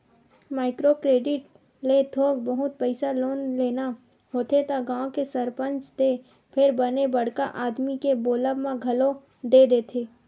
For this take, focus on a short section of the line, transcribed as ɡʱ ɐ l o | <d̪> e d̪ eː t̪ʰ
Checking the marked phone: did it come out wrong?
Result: no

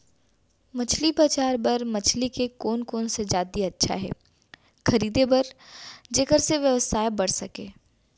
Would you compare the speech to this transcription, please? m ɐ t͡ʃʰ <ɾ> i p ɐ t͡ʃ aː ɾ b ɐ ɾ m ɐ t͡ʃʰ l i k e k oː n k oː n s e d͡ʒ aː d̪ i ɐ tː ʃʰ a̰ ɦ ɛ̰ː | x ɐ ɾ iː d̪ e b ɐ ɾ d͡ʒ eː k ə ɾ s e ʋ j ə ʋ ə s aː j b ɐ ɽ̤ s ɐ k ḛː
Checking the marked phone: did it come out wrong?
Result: yes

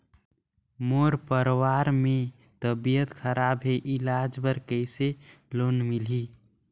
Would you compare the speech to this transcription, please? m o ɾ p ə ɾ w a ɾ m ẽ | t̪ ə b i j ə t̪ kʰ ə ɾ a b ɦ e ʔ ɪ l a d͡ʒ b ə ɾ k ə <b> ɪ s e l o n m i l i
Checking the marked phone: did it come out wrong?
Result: yes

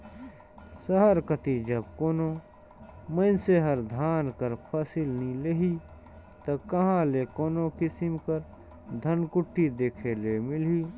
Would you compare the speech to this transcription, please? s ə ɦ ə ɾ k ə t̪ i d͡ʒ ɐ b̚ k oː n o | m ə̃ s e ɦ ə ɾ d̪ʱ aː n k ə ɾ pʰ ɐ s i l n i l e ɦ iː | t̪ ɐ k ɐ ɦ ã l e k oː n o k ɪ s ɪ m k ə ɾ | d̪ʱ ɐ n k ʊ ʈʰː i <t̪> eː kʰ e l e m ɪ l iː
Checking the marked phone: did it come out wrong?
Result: yes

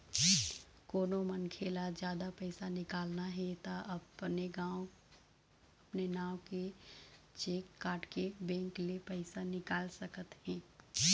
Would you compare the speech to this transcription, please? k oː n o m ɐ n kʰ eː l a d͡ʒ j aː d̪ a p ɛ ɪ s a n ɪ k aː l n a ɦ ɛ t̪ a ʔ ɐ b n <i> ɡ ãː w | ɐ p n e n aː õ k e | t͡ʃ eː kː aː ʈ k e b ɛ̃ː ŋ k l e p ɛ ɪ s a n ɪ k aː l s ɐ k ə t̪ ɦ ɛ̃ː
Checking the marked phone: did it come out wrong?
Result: yes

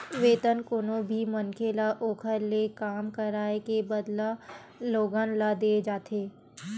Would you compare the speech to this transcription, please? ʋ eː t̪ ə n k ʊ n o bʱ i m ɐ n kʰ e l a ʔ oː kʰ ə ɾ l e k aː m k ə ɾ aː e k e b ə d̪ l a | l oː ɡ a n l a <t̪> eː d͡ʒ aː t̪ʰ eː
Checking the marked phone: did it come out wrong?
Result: yes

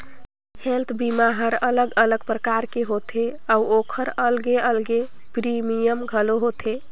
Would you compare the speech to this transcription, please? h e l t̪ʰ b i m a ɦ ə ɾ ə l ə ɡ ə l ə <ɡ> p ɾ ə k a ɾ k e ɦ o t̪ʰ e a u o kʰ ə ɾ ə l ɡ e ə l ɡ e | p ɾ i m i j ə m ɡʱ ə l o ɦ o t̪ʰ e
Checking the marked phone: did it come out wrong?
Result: no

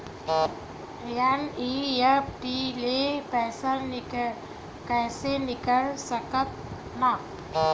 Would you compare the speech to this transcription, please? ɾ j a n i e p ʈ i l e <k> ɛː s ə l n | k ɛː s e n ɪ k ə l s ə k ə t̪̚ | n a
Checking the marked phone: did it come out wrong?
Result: yes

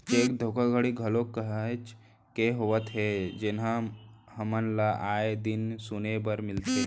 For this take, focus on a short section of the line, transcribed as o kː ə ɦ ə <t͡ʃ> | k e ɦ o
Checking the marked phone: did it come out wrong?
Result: no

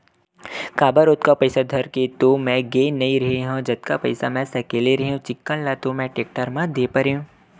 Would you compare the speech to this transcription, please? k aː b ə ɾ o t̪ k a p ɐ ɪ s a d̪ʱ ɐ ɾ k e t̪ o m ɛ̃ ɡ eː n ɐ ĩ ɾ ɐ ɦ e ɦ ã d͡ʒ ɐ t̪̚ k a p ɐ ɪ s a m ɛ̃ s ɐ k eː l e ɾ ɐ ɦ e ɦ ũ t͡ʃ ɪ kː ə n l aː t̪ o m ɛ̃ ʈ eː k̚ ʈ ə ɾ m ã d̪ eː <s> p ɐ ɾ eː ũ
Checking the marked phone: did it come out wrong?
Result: yes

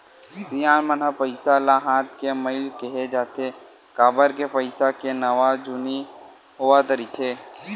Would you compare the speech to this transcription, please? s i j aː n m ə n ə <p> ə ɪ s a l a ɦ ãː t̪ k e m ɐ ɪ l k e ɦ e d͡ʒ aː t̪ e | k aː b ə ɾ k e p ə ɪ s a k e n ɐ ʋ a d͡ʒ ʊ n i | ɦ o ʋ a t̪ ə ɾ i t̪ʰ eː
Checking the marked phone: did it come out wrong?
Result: no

